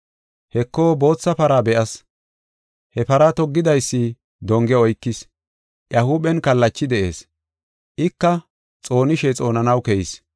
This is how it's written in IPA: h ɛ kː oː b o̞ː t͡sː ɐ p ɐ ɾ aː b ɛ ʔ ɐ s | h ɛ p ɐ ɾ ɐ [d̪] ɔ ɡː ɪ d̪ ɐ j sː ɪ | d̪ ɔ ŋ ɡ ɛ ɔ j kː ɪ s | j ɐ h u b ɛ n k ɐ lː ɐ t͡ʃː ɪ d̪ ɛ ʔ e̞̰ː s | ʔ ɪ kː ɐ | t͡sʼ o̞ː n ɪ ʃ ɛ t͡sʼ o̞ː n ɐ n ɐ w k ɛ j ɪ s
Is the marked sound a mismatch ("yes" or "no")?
yes